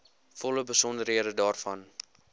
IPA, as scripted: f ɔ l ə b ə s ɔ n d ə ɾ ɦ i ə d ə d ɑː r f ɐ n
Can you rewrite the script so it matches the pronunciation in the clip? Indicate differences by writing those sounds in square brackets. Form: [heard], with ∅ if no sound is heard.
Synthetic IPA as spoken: f ɔ l ə b ə s ɔ n d ə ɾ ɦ i ə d ə d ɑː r f ɐ n